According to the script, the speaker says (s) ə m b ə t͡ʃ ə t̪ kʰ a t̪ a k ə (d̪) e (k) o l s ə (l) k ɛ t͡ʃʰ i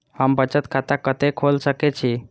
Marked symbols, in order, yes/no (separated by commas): no, no, no, no